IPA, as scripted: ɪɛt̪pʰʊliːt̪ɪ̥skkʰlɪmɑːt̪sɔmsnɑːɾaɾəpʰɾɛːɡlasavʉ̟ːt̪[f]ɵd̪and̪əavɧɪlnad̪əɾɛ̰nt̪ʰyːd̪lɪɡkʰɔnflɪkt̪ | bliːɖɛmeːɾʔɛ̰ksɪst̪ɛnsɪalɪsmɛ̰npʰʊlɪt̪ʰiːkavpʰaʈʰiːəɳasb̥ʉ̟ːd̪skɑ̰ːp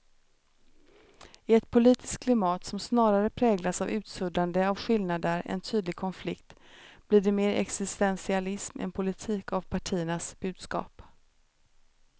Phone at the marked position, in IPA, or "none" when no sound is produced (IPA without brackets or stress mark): s